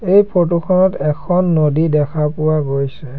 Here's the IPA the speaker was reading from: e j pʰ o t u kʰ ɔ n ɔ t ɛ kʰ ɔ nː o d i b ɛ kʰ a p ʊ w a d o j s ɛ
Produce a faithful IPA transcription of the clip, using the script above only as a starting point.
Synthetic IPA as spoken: e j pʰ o t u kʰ ɔ n ɔ t ɛ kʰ ɔ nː o d i d ɛ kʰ a p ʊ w a ɡ o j s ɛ